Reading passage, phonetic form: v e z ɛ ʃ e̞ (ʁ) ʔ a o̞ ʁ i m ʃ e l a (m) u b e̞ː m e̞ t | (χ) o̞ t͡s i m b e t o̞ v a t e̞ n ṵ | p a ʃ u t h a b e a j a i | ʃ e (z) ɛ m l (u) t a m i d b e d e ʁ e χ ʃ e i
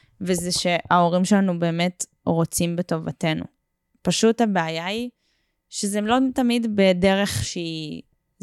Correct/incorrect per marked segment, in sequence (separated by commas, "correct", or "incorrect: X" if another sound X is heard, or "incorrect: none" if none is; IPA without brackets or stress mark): incorrect: none, incorrect: n, incorrect: ʁ, correct, incorrect: o